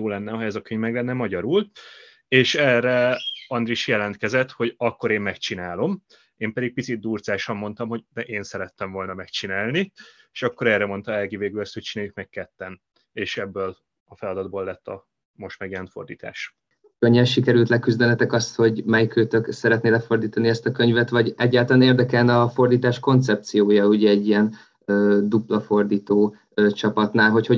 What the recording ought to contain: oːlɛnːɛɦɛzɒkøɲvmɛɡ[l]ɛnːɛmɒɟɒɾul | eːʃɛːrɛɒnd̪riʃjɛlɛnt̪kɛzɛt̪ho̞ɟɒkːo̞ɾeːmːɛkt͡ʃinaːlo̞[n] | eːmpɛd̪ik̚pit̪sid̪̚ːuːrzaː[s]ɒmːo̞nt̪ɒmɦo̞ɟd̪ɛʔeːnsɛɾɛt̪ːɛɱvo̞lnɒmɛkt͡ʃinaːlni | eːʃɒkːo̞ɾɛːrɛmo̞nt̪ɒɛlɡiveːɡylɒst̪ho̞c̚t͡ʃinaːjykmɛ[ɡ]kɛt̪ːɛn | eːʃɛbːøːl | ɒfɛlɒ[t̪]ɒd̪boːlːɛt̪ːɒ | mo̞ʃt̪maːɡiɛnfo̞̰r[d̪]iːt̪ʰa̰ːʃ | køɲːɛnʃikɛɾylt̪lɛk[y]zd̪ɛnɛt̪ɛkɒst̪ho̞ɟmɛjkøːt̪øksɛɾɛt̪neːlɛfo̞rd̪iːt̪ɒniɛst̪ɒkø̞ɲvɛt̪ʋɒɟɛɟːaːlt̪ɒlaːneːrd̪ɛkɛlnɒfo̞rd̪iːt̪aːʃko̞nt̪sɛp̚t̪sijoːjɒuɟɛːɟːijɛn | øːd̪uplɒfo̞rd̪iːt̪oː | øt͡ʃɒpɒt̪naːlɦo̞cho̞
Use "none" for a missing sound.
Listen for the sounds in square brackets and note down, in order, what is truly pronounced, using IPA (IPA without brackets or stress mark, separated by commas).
l, m, ʃ, k, d̪, d̪, y